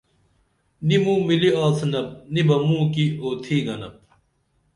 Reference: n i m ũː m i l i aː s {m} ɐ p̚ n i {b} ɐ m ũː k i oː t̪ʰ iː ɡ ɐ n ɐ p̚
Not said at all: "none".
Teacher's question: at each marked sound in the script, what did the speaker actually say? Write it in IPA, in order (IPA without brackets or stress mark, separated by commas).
n, b